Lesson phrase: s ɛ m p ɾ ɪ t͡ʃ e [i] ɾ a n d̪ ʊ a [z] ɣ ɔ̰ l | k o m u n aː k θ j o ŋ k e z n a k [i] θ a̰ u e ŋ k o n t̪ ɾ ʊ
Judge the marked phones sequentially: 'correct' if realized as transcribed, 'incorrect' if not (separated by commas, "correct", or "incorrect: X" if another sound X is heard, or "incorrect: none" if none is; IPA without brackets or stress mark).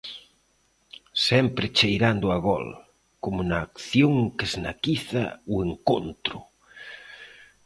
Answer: incorrect: j, incorrect: none, correct